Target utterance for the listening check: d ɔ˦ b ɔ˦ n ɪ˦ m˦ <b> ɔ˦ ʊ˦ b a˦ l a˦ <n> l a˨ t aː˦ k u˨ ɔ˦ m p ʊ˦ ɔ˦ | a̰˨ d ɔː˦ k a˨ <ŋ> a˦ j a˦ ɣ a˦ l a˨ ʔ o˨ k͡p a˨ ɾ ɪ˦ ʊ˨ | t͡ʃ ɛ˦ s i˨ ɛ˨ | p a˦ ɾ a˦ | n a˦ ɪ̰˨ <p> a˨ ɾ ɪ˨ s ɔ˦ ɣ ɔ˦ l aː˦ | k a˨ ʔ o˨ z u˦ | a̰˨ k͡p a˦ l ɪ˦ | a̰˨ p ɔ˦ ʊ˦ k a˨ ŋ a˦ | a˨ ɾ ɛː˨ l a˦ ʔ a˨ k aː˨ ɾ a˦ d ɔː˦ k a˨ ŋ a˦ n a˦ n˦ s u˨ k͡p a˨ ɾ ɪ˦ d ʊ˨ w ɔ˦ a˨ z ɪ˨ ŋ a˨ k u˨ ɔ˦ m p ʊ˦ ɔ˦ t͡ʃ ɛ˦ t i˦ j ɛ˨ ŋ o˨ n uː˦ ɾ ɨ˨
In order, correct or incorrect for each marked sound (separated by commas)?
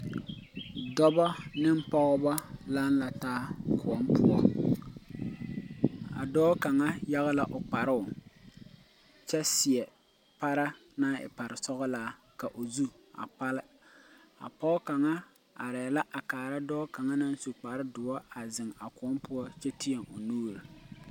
incorrect, correct, correct, correct